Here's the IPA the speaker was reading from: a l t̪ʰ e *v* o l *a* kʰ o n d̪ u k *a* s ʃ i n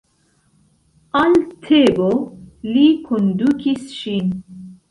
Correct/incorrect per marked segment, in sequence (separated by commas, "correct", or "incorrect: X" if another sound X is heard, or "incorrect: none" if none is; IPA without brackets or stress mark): incorrect: b, incorrect: i, incorrect: i